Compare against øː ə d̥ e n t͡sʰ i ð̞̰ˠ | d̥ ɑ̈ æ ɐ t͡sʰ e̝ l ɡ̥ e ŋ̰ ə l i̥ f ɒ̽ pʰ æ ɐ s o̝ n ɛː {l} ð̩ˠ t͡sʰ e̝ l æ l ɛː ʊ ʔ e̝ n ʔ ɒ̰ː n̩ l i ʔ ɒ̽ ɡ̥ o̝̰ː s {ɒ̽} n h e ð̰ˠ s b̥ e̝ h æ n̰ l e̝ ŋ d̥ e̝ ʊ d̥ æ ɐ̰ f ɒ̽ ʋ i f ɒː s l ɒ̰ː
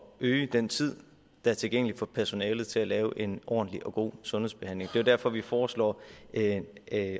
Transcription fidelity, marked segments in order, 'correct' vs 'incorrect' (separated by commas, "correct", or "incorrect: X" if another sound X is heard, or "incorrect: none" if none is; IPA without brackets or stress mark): correct, incorrect: ɔ̽